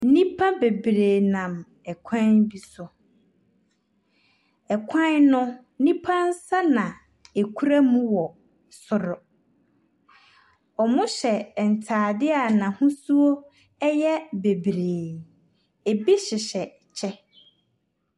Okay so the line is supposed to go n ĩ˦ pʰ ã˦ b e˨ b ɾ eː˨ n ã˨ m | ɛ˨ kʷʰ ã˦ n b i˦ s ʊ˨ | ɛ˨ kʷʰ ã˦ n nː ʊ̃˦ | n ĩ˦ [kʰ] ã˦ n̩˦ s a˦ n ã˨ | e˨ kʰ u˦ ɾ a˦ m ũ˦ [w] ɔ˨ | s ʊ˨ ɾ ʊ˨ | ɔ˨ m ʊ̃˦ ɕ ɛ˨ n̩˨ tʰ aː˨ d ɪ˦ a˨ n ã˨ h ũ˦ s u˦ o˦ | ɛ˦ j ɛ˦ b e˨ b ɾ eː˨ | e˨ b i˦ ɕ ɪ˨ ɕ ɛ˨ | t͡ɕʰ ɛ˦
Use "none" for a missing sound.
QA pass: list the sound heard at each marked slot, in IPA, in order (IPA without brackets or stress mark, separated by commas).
pʰ, w